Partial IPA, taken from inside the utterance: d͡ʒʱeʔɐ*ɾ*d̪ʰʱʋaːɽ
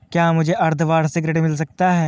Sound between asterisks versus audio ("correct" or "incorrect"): correct